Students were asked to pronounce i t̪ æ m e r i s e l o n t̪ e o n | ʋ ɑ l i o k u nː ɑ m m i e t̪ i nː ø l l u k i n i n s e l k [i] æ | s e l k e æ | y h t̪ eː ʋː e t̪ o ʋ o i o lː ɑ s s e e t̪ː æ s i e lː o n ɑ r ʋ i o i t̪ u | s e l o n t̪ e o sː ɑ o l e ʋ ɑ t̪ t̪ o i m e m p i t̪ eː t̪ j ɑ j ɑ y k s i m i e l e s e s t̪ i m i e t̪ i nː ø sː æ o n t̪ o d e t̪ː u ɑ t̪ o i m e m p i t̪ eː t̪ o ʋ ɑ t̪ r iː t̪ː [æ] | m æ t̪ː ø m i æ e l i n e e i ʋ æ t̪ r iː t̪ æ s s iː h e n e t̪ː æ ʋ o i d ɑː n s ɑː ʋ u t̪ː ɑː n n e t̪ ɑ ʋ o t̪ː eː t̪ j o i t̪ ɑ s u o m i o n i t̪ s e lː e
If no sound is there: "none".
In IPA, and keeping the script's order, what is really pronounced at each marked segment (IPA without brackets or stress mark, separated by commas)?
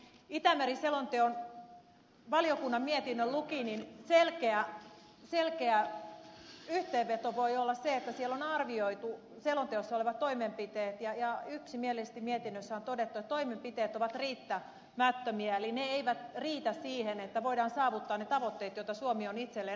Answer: e, æ